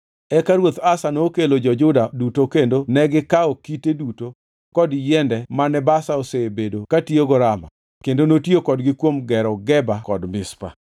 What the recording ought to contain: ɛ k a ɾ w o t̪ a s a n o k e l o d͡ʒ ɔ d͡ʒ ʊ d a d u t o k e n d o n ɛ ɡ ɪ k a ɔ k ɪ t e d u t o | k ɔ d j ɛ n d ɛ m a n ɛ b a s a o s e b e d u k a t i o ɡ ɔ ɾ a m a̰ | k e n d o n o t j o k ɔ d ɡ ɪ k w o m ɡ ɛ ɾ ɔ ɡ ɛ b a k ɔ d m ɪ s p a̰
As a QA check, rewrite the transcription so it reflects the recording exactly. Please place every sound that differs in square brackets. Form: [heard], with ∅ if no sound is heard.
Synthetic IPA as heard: ɛ k a ɾ w o t̪ a s a n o k e l o d͡ʒ ɔ d͡ʒ ʊ d a d u t o k e n d o n ɛ ɡ ɪ k a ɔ k [i] t e d u t o | k ɔ d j ɛ n d ɛ m a n ɛ b a s a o s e b e d [o] k a t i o ɡ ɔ ɾ a m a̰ | k e n d o n o t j o k ɔ d ɡ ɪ k w o m ɡ ɛ ɾ ɔ ɡ ɛ b a k ɔ d m ɪ s p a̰